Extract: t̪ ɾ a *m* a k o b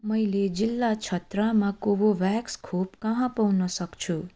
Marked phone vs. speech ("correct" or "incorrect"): correct